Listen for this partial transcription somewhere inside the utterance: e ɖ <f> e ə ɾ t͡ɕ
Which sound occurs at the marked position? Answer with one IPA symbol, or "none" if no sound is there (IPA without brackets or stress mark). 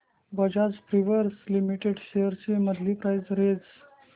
ɕ